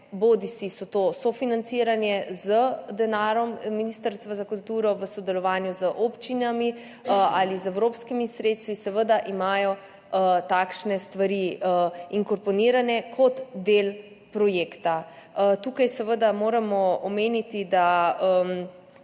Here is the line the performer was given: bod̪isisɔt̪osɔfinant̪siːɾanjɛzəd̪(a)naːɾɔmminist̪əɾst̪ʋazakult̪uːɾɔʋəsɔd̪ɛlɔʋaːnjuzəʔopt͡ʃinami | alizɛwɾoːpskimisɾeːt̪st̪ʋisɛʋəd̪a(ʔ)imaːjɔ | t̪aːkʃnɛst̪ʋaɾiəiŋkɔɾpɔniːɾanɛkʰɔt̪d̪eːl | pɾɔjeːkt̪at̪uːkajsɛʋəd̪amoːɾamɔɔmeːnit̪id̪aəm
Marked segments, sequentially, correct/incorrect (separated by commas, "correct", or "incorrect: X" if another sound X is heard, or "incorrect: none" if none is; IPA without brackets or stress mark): incorrect: ɛ, correct